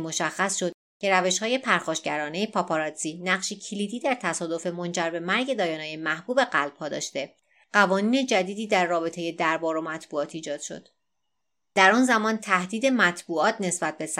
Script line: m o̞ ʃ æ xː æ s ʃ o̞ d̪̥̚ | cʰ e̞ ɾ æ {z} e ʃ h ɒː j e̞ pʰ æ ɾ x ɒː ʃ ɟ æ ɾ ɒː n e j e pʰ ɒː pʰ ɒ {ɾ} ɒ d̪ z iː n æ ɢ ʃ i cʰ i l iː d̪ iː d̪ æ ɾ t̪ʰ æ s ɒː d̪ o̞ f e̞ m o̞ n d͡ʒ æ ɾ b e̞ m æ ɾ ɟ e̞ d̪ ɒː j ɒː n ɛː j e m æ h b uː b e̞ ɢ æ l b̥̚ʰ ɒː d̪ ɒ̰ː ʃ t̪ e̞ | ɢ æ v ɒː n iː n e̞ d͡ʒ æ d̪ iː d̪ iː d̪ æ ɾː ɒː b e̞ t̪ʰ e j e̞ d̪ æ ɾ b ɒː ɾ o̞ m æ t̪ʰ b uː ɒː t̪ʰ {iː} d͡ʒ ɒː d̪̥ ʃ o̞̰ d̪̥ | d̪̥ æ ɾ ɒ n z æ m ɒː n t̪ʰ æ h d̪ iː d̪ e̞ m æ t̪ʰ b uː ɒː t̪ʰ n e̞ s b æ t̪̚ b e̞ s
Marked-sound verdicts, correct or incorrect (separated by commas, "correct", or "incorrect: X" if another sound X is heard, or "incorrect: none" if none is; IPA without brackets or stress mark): incorrect: v, correct, correct